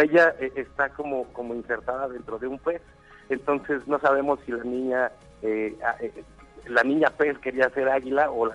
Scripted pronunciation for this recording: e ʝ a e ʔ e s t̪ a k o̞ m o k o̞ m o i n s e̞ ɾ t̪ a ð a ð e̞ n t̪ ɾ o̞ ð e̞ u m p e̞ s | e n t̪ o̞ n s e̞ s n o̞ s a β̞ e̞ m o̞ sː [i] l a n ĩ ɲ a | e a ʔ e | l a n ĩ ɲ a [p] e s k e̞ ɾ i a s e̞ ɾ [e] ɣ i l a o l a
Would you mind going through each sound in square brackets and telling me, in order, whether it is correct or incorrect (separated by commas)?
correct, correct, incorrect